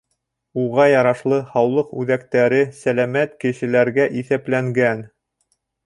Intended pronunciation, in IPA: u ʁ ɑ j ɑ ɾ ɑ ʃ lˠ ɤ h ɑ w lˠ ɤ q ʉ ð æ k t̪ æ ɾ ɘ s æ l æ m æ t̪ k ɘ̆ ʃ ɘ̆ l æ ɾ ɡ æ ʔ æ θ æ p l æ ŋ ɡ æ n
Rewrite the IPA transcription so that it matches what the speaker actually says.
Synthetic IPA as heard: u ʁ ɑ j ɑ ɾ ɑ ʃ lˠ ɤ h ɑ w lˠ ɤ q ʉ ð æ k t̪ æ ɾ ɘ s æ l æ m æ t̪ k ɘ̆ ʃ ɘ̆ l æ ɾ ɡ æ ʔ i θ æ p l æ ŋ ɡ æ n

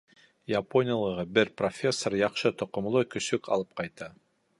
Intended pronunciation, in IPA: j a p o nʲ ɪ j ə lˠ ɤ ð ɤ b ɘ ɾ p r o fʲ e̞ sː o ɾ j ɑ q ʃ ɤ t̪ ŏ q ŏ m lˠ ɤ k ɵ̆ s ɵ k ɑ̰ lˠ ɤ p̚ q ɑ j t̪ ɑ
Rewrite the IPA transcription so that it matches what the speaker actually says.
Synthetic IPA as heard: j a p o nʲ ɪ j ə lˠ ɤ ʁ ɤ b ɘ ɾ p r o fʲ e̞ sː o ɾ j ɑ q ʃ ɤ t̪ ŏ q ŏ m lˠ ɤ k ɵ̆ s ɵ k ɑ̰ lˠ ɤ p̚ q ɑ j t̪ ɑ

